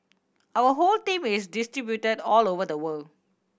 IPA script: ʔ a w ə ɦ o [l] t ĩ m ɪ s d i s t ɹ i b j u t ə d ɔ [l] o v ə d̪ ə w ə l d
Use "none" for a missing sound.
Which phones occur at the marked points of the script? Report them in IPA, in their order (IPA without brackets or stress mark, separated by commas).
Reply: l, l